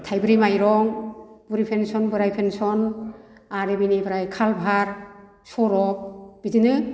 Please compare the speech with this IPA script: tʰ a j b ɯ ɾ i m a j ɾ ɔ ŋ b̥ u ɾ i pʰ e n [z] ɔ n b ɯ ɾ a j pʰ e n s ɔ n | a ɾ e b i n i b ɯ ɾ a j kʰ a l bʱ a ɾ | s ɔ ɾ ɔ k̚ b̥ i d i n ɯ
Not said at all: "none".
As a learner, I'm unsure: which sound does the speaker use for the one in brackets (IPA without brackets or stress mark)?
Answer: s